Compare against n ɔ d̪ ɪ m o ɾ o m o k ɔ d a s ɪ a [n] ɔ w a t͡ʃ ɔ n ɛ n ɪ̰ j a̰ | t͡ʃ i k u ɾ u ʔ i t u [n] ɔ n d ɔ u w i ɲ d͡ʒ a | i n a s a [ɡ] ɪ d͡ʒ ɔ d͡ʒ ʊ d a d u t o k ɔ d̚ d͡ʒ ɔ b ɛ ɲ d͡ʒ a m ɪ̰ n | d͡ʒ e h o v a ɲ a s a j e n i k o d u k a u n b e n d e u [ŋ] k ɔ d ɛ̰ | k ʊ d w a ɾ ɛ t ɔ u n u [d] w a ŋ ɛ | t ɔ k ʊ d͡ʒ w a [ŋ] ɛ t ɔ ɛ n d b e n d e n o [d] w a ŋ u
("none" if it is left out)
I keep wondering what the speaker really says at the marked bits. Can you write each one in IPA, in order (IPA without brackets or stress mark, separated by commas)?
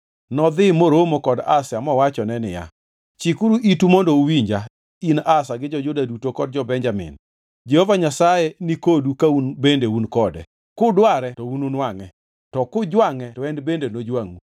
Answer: m, m, ɡ, n, n, ŋ, d͡ʒ